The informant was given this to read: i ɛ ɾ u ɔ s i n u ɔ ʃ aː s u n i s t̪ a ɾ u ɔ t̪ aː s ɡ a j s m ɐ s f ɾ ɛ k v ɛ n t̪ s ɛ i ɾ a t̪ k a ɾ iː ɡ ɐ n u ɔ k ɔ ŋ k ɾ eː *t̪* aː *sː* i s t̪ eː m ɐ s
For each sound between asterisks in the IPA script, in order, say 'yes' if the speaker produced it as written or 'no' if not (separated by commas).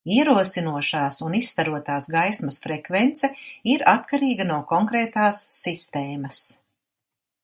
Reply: yes, yes